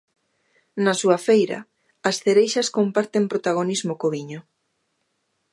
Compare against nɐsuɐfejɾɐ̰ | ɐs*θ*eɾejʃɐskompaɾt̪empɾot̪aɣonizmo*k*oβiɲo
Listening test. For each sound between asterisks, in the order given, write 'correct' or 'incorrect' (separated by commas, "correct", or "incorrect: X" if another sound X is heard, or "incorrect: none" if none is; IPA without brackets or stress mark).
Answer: correct, correct